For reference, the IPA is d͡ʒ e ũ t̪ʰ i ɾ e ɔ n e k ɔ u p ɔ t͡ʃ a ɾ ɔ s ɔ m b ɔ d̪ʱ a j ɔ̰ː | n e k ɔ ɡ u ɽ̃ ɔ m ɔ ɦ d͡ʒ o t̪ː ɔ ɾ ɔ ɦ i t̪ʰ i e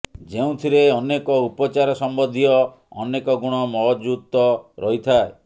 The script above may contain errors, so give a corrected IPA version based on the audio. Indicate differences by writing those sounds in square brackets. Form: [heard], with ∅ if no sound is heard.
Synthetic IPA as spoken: d͡ʒ e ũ t̪ʰ i ɾ e ɔ n e k ɔ u p ɔ t͡ʃ a ɾ ɔ s ɔ m b ɔ d̪ʱ [i] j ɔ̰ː | n e k ɔ ɡ u ɽ̃ ɔ m ɔ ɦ d͡ʒ [u] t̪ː ɔ ɾ ɔ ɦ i t̪ʰ [a] e